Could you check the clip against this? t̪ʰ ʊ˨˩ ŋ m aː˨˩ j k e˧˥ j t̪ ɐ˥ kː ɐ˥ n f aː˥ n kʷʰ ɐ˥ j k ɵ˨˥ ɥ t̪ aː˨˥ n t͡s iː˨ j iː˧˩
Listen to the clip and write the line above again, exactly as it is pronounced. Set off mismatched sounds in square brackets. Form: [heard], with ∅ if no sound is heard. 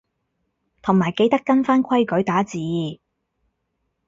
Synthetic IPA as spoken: t̪ʰ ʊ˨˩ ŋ m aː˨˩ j k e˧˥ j t̪ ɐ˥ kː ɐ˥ n f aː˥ n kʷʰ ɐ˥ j k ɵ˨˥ ɥ t̪ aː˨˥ [∅] t͡s iː˨ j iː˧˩